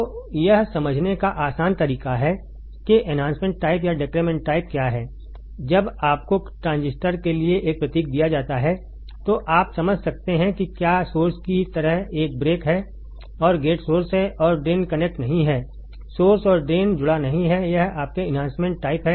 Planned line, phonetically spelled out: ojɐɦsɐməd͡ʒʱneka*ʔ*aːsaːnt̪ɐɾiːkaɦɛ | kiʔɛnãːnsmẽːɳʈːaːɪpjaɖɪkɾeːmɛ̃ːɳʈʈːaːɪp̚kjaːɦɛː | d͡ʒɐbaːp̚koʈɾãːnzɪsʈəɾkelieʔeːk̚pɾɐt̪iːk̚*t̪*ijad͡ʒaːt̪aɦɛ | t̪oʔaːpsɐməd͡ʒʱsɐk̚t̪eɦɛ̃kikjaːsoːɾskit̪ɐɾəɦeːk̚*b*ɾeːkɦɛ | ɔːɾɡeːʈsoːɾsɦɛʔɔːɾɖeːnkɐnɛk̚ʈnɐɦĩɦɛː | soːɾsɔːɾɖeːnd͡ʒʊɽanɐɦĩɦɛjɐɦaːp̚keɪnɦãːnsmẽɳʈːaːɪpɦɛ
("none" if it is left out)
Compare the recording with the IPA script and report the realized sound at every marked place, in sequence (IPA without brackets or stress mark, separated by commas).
ʔ, d̪, b